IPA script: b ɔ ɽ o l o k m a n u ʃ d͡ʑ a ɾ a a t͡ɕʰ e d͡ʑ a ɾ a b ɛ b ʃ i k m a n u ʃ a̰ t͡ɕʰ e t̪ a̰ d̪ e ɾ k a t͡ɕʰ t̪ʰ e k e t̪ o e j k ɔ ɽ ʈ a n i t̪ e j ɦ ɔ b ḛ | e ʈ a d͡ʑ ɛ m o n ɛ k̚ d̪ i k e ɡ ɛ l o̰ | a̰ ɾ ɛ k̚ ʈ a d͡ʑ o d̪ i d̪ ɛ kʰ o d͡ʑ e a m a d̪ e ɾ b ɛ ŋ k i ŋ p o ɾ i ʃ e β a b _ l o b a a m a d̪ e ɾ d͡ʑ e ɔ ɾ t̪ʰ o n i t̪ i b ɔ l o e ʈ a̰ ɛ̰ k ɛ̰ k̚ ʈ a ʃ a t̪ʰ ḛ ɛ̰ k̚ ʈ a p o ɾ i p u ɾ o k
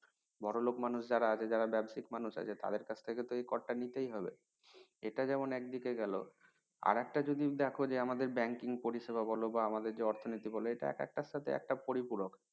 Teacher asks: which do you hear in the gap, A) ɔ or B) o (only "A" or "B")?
A